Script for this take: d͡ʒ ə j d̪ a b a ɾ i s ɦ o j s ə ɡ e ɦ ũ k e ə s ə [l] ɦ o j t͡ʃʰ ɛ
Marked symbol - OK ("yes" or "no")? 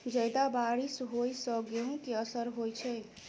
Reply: no